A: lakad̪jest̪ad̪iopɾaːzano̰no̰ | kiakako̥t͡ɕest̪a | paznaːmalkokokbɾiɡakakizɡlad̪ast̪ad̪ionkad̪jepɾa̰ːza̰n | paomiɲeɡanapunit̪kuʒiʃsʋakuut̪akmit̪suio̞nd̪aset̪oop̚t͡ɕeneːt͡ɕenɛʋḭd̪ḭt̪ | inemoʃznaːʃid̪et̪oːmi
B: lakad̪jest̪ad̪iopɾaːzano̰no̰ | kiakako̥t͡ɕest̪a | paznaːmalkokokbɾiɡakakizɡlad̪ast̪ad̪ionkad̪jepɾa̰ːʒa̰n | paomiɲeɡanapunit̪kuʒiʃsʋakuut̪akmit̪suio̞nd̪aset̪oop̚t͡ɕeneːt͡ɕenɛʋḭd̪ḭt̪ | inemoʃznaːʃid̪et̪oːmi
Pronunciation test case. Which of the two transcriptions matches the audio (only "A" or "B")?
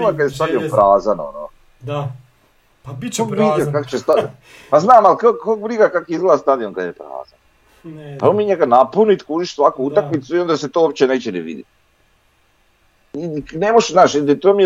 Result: A